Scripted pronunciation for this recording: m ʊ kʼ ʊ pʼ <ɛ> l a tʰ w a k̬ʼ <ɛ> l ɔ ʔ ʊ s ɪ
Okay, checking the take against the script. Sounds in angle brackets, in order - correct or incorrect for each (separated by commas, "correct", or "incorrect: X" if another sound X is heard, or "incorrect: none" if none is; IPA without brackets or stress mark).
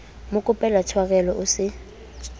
correct, correct